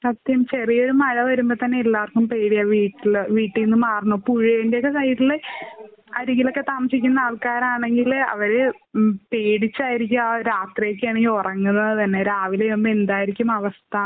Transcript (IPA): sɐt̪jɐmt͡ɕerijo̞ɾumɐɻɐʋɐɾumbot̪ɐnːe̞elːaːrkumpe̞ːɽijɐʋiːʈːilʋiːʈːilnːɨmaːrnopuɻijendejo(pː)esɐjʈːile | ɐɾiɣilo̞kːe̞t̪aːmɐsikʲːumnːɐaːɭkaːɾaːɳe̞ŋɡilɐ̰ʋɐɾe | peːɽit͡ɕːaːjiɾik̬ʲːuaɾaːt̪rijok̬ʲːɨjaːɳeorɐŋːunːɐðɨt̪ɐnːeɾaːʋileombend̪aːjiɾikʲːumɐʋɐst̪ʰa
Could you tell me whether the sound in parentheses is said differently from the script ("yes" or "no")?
yes